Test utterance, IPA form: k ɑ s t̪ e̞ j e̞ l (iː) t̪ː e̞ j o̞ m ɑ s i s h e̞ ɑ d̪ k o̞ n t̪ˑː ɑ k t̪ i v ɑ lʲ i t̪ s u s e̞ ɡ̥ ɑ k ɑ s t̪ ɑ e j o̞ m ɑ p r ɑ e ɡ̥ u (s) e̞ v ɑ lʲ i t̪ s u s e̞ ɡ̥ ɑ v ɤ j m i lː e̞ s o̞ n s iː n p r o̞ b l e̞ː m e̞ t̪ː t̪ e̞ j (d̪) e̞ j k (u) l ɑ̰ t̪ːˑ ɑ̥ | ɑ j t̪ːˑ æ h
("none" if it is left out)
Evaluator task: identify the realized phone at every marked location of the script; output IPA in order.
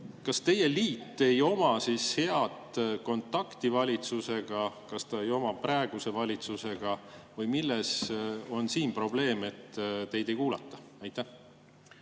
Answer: iː, s, d̪, uː

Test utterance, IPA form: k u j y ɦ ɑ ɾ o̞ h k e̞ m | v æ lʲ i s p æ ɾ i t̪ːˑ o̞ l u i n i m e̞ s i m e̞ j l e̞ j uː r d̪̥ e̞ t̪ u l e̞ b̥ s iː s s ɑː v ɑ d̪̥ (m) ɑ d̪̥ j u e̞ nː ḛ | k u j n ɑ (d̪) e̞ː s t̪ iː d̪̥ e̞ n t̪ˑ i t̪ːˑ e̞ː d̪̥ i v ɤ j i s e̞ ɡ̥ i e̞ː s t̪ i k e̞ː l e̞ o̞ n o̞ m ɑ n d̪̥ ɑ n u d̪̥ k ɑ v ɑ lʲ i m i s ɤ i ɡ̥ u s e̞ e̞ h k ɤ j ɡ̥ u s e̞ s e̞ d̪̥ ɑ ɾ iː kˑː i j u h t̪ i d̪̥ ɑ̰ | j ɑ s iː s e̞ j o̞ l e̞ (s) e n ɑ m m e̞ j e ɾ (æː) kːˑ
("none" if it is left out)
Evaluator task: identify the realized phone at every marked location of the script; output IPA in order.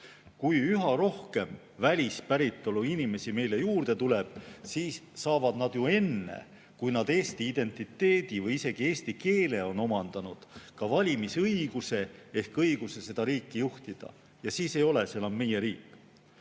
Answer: n, d̪, s, iː

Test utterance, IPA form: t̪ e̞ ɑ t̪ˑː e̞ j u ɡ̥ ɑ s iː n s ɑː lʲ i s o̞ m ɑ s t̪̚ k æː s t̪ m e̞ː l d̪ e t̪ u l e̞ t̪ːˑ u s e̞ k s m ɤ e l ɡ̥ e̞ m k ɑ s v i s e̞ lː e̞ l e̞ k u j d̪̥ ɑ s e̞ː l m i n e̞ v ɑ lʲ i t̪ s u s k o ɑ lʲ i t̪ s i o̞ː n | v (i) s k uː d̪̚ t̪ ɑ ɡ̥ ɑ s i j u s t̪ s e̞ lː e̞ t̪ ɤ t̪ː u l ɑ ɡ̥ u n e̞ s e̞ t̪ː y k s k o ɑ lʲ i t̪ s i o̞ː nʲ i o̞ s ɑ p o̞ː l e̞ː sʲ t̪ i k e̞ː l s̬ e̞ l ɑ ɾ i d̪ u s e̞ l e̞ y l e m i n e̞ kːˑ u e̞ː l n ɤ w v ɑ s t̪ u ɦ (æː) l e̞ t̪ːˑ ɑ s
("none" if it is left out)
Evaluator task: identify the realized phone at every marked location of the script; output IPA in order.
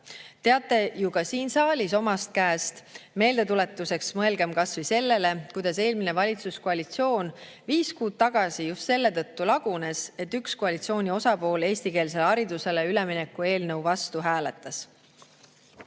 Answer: iː, æː

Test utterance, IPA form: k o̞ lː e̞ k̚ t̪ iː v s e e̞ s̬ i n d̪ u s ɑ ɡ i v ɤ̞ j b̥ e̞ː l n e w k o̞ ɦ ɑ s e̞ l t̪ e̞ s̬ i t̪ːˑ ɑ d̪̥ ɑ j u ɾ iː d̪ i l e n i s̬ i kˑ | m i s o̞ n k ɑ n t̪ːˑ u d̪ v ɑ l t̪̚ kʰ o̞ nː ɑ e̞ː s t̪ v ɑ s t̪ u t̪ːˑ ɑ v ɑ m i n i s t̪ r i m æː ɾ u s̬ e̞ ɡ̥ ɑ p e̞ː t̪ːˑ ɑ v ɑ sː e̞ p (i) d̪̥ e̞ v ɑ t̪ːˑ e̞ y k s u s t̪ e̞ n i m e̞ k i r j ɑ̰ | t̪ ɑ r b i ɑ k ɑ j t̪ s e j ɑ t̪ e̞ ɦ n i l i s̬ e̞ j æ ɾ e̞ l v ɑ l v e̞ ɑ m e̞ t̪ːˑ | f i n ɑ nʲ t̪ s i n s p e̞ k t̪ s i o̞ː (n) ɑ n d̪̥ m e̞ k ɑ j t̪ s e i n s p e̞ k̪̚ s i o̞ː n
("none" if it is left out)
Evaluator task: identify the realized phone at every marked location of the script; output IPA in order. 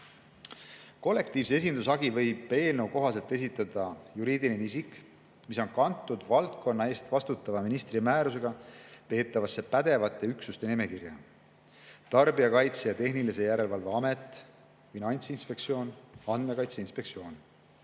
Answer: æ, n

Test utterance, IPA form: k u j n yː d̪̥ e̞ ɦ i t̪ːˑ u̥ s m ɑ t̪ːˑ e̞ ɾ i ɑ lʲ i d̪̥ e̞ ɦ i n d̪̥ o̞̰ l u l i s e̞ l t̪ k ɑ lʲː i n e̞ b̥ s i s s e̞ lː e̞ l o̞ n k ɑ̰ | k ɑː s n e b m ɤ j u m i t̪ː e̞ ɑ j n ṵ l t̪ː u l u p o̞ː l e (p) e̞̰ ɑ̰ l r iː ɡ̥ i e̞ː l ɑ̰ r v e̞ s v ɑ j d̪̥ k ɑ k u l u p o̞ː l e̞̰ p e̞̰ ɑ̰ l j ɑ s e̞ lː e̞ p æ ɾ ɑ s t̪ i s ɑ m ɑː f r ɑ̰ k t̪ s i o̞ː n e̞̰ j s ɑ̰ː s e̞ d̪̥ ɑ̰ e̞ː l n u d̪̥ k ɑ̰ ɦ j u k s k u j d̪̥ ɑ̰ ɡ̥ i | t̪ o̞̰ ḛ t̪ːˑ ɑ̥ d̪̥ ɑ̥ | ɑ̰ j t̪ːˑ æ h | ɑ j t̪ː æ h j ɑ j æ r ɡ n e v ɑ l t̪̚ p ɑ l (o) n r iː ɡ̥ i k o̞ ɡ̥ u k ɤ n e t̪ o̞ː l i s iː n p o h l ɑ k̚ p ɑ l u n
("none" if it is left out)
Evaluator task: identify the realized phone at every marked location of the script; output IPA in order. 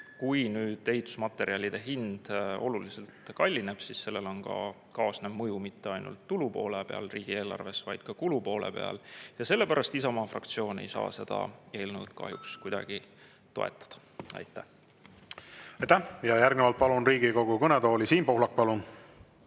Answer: p, u

